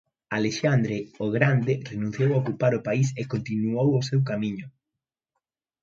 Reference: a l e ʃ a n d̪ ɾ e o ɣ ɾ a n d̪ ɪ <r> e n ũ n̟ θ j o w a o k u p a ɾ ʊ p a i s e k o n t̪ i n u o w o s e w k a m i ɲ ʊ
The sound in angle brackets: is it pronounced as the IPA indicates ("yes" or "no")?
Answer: yes